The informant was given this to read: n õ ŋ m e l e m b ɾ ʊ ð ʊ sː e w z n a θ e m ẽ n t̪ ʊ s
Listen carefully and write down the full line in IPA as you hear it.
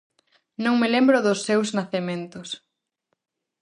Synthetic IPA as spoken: n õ ŋ m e l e m b ɾ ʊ ð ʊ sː e w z n a θ e m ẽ n t̪ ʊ s